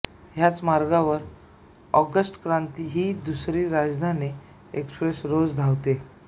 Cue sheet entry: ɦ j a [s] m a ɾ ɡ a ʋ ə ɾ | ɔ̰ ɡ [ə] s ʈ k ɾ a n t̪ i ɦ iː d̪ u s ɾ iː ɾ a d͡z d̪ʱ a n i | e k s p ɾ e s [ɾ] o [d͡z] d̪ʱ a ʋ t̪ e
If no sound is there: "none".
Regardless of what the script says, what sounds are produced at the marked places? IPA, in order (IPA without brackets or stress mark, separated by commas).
t͡s, ə, ɾ, d͡z